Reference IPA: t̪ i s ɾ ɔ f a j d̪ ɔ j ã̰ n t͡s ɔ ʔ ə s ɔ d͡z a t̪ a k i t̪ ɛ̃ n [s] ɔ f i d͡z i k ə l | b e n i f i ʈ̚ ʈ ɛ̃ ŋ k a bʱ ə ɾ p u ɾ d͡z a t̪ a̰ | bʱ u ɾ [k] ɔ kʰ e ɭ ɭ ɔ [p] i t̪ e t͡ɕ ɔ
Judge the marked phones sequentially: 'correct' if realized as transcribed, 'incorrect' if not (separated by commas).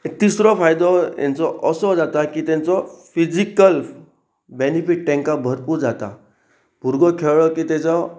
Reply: incorrect, incorrect, incorrect